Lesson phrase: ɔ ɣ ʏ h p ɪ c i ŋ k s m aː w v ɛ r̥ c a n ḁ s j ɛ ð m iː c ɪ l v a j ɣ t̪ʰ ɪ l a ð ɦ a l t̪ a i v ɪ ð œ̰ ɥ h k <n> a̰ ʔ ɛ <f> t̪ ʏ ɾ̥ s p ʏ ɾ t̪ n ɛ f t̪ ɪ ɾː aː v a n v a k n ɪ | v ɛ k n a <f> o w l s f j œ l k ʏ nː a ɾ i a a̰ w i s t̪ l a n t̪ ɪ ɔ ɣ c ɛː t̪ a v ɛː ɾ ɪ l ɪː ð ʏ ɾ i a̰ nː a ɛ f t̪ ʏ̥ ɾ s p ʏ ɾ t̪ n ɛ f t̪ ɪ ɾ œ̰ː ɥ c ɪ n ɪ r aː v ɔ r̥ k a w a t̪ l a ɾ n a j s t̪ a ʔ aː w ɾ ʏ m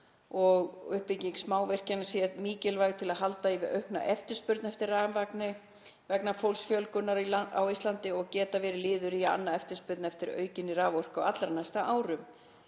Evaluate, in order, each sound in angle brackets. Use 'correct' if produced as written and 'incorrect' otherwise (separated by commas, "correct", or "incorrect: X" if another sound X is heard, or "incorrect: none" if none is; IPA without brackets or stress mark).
correct, correct, correct